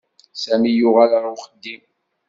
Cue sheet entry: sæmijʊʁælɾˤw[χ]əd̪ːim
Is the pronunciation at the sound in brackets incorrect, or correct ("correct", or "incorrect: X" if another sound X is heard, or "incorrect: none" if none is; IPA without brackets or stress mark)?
correct